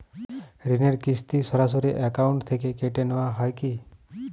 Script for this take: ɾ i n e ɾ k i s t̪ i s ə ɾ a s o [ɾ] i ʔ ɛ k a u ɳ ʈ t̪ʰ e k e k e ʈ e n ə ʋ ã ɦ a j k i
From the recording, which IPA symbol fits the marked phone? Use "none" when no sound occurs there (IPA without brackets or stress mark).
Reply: ɾ